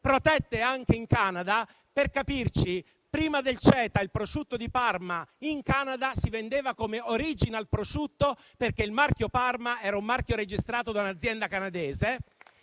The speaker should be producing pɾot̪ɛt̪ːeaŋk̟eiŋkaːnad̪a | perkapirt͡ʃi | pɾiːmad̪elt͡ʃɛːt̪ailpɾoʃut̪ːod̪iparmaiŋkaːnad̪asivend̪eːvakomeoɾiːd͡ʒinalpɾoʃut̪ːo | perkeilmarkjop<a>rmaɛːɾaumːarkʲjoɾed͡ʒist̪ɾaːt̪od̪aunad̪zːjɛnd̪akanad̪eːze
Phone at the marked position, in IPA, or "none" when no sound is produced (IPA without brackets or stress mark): a